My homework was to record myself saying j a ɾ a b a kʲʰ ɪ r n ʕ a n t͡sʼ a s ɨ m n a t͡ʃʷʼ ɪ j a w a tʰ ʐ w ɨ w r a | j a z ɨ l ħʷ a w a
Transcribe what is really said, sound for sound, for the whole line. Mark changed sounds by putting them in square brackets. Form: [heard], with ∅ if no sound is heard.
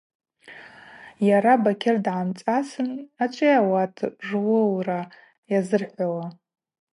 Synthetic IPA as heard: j a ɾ a b a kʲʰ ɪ r [d] ʕ a [m] t͡sʼ a s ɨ [∅] n a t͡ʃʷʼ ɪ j a w a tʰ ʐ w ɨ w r a | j a z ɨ [r] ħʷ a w a